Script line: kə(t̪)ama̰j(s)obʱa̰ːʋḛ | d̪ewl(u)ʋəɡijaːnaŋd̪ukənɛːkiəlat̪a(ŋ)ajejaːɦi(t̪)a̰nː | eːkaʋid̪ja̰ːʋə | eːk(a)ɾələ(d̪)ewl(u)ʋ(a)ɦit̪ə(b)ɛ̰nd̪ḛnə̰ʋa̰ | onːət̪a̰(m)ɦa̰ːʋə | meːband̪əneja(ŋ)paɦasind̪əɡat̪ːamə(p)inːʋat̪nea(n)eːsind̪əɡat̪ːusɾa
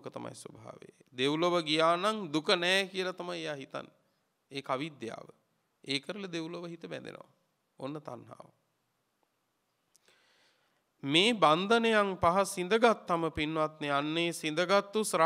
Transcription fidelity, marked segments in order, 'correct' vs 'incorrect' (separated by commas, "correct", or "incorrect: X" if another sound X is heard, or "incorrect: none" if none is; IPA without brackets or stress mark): correct, correct, incorrect: o, incorrect: m, correct, incorrect: ə, correct, incorrect: o, incorrect: ə, correct, incorrect: n, correct, correct, incorrect: nː